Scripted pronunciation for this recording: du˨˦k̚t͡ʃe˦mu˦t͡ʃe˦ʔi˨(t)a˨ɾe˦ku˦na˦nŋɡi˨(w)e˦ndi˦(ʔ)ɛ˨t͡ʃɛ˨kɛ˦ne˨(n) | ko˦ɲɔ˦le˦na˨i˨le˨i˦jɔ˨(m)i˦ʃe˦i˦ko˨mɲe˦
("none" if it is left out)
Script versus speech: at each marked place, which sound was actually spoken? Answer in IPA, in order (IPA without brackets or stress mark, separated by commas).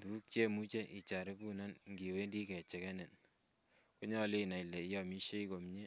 t͡ʃ, w, k, n, m